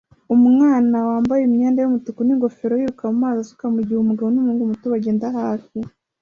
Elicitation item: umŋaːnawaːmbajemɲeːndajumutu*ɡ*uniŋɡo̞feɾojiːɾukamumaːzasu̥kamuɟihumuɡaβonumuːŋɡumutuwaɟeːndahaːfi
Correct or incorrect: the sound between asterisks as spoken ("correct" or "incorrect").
incorrect